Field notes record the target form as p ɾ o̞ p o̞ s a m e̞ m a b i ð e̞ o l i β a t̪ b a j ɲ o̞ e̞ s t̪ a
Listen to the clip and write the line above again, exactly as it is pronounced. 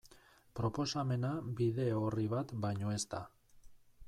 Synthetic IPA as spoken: p ɾ o̞ p o̞ s a m e̞ n a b i ð e̞ o r i β a t̪ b a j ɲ o̞ e̞ s t̪ a